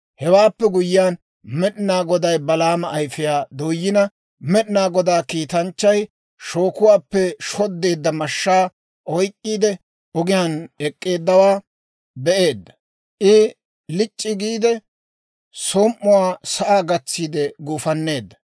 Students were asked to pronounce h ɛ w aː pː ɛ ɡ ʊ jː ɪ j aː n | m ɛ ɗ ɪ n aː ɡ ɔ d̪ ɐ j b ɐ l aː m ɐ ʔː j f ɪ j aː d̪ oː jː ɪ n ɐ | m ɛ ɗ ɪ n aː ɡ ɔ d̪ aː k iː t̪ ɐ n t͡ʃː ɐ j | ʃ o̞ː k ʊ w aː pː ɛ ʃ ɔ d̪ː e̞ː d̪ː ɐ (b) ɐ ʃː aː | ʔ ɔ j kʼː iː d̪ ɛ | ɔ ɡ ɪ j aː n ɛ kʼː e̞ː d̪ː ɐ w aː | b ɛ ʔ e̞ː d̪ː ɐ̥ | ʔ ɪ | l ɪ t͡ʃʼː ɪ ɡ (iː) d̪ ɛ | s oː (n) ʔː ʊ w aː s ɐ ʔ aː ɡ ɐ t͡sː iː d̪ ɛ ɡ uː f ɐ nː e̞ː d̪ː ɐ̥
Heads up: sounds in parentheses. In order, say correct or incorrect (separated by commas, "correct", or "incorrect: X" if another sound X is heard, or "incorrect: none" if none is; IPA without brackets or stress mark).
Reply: incorrect: m, correct, incorrect: m